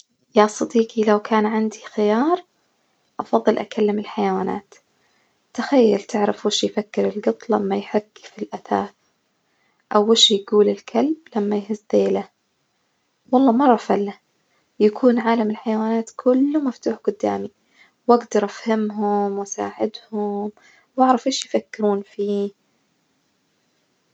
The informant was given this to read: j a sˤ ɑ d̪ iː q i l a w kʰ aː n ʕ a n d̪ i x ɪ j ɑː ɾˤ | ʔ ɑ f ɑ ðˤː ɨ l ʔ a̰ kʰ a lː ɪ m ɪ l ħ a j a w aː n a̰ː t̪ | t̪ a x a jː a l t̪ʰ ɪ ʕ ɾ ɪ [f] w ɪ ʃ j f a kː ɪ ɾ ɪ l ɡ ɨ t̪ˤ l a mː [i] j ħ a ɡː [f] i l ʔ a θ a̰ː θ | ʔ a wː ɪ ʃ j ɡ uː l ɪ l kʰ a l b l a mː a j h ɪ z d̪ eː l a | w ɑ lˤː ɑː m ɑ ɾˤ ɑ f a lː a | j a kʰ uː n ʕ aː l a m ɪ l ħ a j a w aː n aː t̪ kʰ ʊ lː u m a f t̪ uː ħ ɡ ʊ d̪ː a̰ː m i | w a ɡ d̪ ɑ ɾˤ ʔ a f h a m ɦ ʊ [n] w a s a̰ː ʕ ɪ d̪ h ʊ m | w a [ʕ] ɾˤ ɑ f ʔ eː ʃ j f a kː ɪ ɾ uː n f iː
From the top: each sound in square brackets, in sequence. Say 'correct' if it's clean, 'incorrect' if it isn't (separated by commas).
correct, incorrect, correct, incorrect, correct